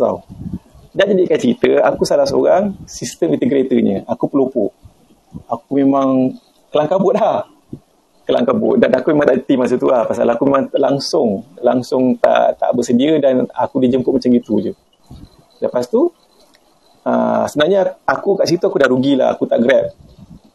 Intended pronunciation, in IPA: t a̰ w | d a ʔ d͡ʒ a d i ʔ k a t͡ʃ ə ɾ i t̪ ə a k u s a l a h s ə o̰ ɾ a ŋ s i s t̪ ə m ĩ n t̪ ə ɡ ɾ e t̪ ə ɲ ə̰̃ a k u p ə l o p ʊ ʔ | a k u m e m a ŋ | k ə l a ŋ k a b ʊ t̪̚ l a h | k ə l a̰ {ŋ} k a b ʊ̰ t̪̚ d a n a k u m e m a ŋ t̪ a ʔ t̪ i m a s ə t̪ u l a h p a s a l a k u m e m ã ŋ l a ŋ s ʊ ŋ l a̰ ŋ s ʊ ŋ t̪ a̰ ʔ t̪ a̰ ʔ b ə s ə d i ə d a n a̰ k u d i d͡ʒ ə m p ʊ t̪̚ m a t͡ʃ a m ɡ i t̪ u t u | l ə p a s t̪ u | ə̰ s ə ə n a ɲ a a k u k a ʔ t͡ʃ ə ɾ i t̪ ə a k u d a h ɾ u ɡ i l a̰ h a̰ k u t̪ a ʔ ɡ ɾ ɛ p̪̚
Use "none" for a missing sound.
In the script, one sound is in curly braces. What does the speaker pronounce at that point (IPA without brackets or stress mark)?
ŋ